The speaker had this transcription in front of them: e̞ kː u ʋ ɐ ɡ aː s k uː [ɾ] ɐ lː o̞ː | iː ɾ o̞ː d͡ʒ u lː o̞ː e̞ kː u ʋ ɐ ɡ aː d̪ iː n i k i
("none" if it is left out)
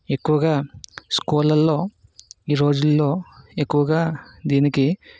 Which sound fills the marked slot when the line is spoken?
l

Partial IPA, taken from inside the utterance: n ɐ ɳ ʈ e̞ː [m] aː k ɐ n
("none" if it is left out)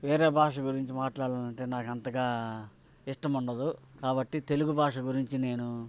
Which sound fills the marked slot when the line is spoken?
n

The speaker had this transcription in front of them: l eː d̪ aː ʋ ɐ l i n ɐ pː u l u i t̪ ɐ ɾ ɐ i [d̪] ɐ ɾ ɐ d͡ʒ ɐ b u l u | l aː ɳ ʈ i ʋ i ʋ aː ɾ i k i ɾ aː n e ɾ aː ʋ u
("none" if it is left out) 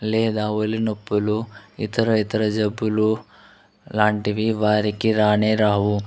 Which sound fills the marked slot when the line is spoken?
t̪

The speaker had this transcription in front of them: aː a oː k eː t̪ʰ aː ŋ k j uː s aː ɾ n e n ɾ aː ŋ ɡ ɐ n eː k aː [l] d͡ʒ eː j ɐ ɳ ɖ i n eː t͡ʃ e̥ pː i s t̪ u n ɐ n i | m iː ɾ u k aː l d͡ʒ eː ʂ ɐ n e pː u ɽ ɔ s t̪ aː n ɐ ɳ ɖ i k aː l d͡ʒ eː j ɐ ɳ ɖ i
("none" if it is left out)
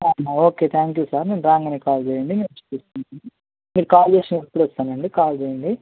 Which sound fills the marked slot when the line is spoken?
l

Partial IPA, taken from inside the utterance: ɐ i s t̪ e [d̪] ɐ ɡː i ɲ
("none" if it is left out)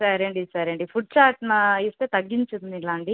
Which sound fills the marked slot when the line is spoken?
t̪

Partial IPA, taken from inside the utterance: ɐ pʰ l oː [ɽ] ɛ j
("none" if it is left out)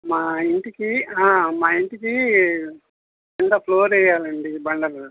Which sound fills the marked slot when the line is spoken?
ɾ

